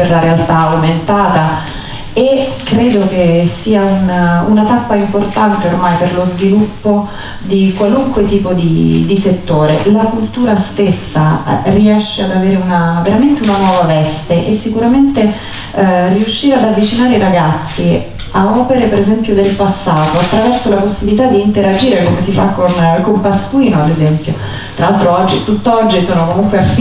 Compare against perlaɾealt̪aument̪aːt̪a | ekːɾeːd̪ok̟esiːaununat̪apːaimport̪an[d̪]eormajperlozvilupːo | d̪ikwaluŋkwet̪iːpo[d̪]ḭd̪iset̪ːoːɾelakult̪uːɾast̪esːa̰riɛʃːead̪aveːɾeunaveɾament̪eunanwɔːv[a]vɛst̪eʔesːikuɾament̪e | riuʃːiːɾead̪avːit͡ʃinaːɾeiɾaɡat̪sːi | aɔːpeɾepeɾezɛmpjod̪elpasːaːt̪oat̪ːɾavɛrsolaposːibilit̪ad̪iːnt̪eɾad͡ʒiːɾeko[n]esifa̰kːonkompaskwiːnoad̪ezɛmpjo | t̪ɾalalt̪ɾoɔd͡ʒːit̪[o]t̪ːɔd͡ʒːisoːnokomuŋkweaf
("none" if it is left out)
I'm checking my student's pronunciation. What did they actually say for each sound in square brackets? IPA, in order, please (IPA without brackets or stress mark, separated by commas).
t̪, d̪, a, m, u